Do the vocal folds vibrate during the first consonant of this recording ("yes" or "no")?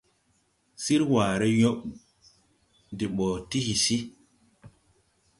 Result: no